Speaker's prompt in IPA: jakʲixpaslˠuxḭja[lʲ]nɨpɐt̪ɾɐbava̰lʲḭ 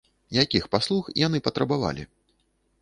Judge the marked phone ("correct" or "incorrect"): incorrect